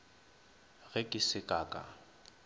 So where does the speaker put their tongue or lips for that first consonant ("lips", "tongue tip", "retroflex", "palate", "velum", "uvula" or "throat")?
velum